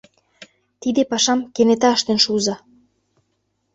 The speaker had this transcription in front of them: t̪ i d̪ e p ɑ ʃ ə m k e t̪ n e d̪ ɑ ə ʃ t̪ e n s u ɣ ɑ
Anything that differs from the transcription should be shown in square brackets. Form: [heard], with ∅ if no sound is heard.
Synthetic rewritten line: t̪ i d̪ e p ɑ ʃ [ɑ] m k e [∅] n e [t̪] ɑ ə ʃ t̪ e n [ʃ] u [z] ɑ